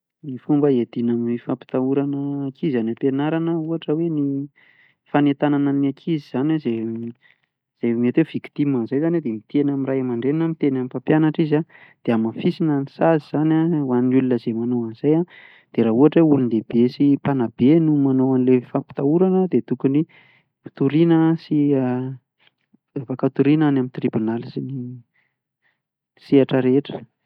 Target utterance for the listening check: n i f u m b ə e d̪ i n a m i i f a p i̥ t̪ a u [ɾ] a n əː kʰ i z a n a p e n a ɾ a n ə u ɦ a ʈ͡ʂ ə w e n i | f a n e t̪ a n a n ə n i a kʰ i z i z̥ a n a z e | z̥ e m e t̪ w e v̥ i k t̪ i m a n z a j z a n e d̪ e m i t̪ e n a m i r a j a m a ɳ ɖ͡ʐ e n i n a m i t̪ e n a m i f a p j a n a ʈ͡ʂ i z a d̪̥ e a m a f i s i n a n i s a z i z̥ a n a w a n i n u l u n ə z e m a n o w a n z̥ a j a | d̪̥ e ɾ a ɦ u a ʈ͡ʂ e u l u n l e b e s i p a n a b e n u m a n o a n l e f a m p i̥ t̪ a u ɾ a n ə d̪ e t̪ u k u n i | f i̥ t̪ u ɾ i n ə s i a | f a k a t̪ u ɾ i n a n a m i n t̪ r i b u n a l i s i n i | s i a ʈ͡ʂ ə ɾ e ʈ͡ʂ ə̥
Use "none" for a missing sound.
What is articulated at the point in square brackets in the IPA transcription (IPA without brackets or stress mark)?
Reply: ɾ